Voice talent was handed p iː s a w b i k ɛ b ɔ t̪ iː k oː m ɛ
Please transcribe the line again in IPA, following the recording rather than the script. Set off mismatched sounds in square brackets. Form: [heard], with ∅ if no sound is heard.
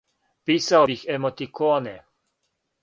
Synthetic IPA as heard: p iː s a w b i [x] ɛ [m] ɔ t̪ [i] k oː [n] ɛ